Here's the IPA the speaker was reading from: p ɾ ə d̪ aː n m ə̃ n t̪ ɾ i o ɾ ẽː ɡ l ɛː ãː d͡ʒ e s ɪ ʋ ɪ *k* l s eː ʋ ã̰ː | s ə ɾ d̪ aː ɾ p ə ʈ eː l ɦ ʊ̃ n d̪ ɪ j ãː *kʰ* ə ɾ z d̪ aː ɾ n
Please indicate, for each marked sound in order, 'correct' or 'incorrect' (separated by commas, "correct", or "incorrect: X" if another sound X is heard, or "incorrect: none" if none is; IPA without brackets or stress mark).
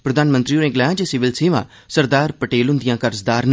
incorrect: none, incorrect: k